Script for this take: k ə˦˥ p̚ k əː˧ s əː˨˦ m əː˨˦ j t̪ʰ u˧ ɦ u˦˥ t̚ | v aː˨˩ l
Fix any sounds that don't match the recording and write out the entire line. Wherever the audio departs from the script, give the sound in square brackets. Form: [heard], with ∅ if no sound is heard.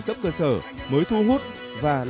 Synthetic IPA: k ə˦˥ p̚ k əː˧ s [əː˧˩] m əː˨˦ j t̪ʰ u˧ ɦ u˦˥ t̚ | v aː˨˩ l